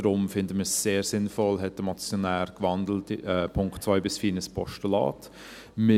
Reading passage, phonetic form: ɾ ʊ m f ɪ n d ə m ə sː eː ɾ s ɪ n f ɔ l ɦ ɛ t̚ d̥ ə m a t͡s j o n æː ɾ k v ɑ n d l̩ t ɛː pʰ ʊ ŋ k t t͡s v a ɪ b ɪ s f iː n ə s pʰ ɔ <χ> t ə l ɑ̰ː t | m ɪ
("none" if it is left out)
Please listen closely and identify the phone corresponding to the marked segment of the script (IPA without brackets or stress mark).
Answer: ʃ